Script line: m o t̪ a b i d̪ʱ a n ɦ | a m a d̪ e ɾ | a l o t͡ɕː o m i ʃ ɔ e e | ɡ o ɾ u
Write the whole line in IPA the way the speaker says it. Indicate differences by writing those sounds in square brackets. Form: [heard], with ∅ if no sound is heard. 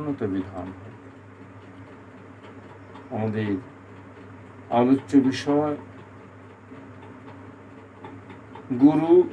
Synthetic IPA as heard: [n] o t̪ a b i d̪ʱ a n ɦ | a m a d̪ e ɾ | a l o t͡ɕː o [b] i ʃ ɔ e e | ɡ [u] ɾ u